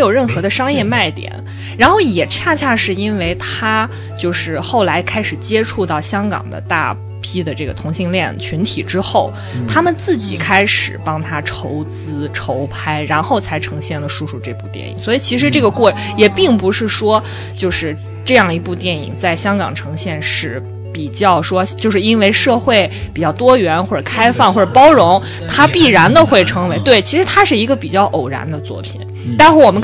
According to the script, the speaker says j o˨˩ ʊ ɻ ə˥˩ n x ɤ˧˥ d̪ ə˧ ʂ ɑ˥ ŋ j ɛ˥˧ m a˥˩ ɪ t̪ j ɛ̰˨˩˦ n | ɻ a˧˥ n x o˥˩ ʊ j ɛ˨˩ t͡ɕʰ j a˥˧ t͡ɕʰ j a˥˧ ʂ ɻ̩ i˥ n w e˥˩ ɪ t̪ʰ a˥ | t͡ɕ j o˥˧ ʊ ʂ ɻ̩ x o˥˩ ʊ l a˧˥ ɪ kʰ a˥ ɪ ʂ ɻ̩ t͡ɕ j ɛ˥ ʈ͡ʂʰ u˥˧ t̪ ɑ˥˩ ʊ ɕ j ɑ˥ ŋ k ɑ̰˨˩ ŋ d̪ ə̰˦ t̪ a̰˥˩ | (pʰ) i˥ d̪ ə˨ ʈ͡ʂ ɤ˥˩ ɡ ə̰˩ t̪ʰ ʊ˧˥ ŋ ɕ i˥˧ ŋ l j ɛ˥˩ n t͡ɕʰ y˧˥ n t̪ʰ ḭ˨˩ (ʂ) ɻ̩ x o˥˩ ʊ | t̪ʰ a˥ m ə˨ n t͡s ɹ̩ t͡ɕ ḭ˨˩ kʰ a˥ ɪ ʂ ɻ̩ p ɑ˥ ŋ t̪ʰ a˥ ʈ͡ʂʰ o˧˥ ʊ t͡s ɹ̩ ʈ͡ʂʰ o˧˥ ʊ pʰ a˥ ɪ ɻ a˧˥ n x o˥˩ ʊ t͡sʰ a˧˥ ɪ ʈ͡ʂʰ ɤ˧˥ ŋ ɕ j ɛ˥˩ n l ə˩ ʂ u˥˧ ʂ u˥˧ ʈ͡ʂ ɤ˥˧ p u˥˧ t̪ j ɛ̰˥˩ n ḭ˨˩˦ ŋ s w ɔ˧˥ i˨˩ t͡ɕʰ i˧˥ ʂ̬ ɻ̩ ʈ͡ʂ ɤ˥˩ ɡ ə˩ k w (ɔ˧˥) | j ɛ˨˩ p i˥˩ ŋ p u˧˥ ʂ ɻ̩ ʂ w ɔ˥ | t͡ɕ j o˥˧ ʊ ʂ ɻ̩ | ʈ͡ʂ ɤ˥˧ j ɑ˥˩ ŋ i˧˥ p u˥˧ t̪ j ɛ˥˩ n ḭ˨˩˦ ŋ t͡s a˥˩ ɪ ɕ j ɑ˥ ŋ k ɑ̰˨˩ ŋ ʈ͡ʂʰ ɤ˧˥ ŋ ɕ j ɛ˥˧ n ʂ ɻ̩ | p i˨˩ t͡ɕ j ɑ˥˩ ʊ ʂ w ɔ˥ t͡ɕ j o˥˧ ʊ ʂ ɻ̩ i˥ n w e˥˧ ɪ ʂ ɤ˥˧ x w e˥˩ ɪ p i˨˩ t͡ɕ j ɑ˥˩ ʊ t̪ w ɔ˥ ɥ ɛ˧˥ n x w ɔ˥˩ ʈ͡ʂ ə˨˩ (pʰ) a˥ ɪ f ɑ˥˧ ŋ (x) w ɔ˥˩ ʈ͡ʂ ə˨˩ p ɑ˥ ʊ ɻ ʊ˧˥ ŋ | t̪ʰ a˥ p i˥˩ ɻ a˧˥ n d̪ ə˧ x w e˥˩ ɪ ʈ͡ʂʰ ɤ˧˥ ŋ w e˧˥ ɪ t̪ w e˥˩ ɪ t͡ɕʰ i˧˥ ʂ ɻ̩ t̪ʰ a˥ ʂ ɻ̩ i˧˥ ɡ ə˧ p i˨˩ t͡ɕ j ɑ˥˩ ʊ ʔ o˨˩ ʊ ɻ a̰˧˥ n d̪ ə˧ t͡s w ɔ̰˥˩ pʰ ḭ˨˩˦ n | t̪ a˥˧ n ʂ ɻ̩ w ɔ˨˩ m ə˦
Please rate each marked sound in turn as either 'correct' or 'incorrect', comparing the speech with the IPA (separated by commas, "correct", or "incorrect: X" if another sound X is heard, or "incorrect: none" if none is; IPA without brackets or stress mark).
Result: correct, incorrect: ʈ͡ʂ, incorrect: ɔ˥˩, incorrect: kʰ, correct